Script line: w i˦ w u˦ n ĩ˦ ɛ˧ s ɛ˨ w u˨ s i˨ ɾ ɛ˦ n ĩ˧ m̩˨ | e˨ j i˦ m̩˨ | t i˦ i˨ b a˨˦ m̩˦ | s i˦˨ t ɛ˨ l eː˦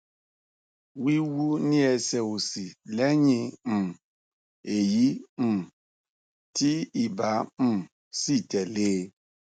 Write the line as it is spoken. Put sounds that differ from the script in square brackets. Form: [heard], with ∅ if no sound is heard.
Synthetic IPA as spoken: w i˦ w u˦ n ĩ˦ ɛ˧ s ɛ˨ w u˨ s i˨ [l] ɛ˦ [ɲ] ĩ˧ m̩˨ | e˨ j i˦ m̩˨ | t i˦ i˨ b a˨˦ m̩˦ | s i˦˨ t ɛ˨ l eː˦